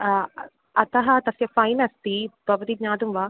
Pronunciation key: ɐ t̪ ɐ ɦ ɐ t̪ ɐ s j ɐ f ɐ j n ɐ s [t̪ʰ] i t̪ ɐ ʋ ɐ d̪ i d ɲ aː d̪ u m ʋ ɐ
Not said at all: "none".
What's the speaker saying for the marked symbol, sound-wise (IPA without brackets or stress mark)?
t̪